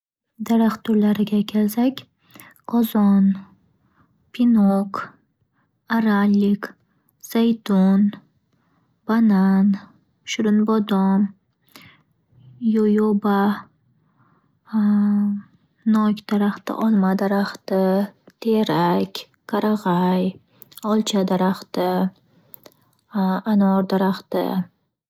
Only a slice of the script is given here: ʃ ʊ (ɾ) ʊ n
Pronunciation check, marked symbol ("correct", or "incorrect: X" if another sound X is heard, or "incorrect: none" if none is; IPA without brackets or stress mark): correct